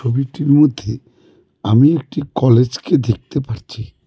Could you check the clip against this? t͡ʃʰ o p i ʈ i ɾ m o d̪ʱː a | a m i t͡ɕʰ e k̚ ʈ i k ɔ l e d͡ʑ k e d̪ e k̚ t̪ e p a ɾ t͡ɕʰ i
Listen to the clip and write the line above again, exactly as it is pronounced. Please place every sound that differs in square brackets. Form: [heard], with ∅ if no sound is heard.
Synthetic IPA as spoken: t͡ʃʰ o [b] i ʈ i ɾ m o d̪ʱː [e] | a m i [∅] e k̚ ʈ i k ɔ l e d͡ʑ k e d̪ e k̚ t̪ e p a ɾ t͡ɕʰ i